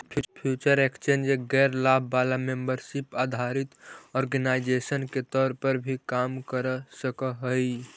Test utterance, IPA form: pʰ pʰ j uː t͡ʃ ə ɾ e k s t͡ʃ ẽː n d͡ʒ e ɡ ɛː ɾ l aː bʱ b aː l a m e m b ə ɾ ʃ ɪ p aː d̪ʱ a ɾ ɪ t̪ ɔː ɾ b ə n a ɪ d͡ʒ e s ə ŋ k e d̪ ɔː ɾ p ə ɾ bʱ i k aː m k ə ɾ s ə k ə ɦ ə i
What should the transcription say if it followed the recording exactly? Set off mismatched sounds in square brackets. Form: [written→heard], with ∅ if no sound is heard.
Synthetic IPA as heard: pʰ pʰ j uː t͡ʃ ə ɾ e k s t͡ʃ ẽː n d͡ʒ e ɡ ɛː ɾ l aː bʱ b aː l a m e m b ə ɾ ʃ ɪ p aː d̪ʱ a ɾ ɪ t̪ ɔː ɾ [b→ɡ] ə n a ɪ d͡ʒ e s ə [ŋ→n] k e [d̪→t̪] ɔː ɾ p ə ɾ bʱ i k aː m k ə ɾ s ə k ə ɦ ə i